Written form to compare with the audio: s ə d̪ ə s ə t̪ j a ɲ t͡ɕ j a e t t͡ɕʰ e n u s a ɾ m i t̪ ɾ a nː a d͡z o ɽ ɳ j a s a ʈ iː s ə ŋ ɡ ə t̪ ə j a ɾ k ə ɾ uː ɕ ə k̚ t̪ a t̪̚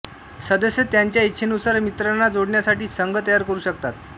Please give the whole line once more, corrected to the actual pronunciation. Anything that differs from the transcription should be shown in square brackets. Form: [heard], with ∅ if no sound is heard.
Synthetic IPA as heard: s ə d̪ ə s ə t̪ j a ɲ t͡ɕ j a [i] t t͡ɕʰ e n u s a ɾ m i t̪ ɾ a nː a d͡z o ɽ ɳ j a s a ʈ iː s ə ŋ ɡ ə t̪ ə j a ɾ k ə ɾ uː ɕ ə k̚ t̪ a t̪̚